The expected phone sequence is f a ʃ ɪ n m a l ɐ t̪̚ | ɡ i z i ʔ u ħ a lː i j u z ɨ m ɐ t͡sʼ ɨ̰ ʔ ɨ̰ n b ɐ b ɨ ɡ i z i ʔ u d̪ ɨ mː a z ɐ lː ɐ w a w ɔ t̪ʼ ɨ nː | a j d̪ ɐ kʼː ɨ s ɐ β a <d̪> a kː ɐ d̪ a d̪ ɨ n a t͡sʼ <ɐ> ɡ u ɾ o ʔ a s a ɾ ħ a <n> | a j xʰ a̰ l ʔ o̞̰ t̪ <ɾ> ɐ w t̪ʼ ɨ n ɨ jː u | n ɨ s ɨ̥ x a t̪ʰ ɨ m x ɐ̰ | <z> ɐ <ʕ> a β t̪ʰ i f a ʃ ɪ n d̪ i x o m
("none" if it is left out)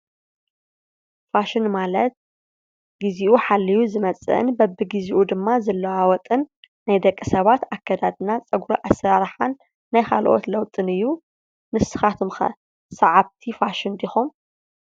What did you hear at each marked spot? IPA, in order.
t̪, ɐ, nː, l, s, ʕ

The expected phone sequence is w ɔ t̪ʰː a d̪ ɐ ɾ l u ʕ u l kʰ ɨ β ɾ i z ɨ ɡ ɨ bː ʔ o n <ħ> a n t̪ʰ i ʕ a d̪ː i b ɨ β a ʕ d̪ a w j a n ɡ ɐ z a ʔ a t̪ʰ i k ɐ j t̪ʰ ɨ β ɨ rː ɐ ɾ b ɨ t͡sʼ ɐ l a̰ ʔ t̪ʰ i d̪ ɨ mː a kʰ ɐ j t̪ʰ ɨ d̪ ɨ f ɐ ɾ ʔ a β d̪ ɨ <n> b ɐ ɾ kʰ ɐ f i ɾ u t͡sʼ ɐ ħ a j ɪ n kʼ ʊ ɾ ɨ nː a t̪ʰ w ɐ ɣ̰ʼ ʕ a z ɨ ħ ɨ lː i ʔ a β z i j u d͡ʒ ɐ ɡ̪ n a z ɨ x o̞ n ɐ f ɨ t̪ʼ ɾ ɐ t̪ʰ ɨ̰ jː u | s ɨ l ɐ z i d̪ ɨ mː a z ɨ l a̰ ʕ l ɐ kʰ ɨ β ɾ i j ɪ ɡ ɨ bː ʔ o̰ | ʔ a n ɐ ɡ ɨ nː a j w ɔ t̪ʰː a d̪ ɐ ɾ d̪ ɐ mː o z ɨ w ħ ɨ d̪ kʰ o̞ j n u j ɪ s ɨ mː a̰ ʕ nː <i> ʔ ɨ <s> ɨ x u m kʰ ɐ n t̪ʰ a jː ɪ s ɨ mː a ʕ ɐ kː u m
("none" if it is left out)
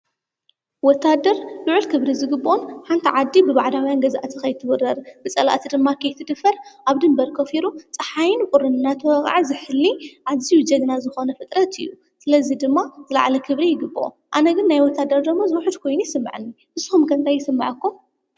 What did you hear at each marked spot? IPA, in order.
ħ, m, i, z

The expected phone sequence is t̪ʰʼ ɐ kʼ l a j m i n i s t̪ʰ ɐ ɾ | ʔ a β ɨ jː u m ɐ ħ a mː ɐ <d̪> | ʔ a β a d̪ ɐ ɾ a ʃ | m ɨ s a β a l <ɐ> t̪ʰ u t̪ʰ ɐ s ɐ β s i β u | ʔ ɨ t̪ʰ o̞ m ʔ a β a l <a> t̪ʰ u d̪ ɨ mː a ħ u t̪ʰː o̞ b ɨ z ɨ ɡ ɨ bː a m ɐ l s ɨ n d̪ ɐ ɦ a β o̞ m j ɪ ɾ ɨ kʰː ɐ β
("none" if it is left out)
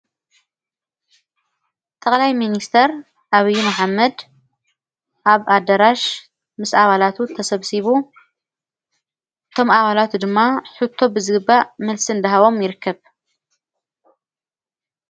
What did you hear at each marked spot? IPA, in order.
d̪, a, a

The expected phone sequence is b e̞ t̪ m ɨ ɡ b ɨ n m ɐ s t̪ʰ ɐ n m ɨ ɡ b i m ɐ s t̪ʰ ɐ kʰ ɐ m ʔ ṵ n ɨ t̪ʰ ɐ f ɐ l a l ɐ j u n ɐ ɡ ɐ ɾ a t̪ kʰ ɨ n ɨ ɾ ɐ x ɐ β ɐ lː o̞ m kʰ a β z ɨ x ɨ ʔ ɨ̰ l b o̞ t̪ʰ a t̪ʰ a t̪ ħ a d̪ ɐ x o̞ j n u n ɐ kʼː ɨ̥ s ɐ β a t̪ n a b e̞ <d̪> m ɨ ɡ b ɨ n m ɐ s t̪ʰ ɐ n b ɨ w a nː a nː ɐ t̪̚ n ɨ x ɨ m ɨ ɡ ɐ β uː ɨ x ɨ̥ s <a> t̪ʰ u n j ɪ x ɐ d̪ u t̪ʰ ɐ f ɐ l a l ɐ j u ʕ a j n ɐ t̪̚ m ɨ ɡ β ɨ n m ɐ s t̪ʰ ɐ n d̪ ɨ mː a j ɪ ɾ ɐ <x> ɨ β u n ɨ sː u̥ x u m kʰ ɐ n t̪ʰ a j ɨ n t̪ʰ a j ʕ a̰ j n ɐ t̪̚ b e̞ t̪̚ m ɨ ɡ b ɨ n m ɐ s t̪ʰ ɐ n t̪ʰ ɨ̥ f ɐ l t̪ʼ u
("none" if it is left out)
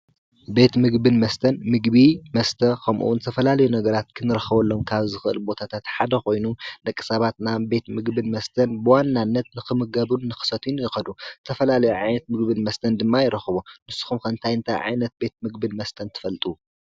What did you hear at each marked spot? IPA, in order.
t̪, ɐ, x

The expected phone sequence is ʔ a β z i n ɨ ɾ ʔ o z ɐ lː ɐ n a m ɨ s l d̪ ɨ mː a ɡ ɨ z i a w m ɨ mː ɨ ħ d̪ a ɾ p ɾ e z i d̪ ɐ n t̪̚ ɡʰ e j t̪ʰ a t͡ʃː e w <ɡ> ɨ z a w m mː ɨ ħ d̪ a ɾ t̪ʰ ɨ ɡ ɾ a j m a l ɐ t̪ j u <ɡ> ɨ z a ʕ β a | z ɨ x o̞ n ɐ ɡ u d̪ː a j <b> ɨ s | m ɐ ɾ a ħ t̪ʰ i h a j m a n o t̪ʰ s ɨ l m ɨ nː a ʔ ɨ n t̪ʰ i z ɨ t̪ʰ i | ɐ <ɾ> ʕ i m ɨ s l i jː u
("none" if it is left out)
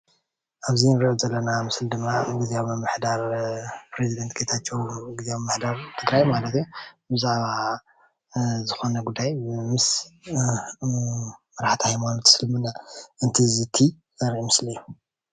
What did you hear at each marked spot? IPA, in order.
ɡ, b, m, ɾ

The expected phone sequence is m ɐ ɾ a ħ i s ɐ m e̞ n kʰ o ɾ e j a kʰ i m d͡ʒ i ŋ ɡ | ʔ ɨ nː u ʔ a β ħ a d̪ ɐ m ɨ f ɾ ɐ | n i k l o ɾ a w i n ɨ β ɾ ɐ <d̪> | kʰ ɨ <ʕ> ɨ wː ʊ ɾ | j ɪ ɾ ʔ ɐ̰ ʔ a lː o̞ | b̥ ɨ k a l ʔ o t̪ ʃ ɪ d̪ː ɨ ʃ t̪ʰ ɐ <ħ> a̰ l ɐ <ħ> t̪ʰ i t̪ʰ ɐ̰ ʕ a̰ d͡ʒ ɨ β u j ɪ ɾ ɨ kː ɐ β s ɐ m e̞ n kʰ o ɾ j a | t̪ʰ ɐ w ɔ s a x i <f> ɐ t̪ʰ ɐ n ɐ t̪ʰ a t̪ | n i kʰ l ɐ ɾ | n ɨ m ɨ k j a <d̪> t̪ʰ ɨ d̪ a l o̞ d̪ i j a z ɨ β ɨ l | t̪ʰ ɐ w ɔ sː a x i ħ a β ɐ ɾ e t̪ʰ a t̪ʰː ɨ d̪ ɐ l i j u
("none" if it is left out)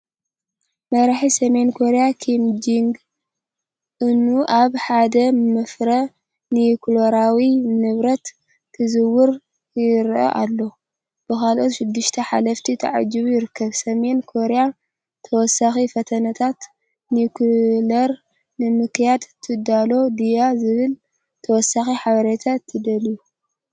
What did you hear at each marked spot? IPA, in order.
t̪, z, ħ, f, f, d̪

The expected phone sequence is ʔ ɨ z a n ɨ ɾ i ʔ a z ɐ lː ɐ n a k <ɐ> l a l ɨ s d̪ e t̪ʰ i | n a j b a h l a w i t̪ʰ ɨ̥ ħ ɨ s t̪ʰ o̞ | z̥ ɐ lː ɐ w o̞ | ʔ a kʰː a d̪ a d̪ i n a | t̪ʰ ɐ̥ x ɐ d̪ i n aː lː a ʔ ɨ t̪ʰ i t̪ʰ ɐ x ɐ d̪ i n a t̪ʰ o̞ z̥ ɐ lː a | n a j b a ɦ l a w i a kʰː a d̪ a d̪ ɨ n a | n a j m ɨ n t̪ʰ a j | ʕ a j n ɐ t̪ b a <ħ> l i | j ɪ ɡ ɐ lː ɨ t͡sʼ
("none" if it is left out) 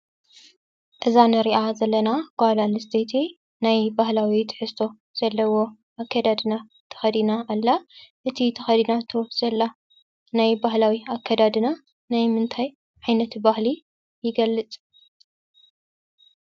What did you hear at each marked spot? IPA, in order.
a, h

